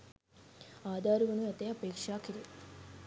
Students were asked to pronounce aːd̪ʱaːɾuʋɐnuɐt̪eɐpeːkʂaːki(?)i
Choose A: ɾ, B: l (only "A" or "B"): A